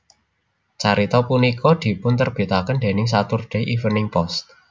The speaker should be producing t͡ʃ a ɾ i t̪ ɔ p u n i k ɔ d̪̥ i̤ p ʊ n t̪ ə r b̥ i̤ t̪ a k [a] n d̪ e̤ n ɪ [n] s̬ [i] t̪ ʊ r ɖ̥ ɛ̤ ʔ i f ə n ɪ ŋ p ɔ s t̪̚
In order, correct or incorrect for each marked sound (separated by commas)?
incorrect, incorrect, incorrect